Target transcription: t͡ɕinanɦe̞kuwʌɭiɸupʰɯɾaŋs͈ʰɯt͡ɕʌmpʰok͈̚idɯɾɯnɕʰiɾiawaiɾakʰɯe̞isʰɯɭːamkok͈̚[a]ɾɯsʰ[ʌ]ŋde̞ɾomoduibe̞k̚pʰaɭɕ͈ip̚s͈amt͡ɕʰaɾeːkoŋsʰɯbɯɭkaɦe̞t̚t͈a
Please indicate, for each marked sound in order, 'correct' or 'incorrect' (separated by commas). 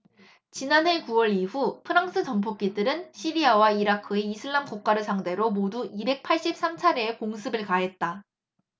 correct, incorrect